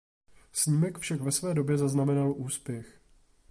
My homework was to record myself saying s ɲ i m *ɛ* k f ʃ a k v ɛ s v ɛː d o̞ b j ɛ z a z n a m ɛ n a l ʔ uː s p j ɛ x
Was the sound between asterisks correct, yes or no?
yes